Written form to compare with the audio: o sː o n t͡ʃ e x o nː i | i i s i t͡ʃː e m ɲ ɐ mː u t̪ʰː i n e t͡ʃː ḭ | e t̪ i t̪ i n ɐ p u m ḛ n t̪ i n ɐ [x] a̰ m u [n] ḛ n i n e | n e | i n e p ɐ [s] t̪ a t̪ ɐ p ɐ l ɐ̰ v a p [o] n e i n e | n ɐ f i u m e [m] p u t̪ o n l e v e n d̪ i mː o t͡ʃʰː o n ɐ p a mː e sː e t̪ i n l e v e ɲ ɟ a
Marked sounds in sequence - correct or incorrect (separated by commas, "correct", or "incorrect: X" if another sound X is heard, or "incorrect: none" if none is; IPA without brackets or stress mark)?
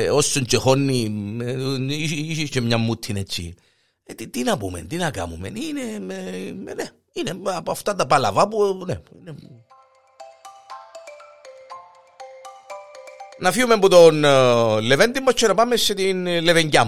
incorrect: k, incorrect: m, incorrect: f, incorrect: u, correct